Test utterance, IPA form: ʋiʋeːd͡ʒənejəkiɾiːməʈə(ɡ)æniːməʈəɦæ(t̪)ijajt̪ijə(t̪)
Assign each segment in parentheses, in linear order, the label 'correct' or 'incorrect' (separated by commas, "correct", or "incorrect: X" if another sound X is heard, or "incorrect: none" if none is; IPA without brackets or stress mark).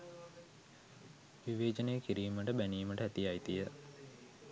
incorrect: b, correct, incorrect: none